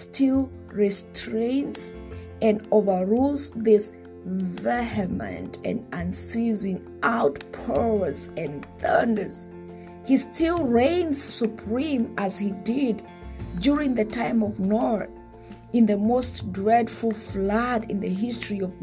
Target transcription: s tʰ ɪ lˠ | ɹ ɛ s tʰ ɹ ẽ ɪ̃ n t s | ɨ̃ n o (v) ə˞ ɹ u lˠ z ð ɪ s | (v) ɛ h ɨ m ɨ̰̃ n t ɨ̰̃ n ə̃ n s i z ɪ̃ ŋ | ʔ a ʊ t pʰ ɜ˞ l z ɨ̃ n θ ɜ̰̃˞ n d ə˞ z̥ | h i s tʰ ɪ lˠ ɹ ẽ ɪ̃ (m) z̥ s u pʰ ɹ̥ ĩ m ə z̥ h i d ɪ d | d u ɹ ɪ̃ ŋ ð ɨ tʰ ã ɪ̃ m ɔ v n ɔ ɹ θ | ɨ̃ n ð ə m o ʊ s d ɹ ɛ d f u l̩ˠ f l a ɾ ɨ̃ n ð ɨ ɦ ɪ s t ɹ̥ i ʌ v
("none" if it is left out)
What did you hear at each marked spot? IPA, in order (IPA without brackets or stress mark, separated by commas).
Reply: v, v, n